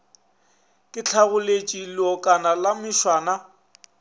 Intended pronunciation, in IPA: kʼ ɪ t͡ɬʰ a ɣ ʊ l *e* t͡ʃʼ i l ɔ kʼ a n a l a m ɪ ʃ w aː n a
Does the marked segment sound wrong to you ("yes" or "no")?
no